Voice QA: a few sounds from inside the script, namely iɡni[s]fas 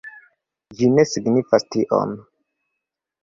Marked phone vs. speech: incorrect: none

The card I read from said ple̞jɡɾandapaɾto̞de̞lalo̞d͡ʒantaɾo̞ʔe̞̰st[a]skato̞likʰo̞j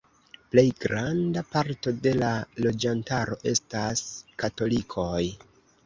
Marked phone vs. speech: correct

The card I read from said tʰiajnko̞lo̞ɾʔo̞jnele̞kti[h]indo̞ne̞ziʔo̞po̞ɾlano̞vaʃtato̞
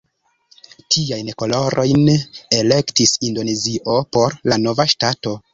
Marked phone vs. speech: incorrect: s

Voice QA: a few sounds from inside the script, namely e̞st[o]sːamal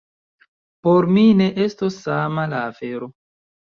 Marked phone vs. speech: correct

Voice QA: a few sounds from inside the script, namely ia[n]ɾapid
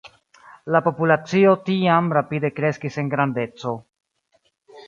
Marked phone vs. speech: incorrect: m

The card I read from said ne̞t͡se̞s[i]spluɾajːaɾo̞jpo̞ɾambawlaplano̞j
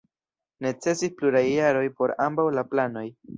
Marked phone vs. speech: correct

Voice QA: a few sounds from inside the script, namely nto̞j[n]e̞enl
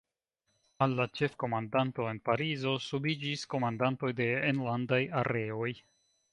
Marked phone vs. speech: incorrect: d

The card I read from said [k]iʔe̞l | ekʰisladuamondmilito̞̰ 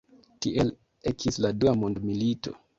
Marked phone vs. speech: incorrect: t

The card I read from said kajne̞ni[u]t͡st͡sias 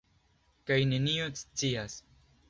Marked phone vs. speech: incorrect: o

